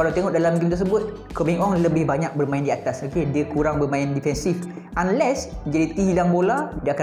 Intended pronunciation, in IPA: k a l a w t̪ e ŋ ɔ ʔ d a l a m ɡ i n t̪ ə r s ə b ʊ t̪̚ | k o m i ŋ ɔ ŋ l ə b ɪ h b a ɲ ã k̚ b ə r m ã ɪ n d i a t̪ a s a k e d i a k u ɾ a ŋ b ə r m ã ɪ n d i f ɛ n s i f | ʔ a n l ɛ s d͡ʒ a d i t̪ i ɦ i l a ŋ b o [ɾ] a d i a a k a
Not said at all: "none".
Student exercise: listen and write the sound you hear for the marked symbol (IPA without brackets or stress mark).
l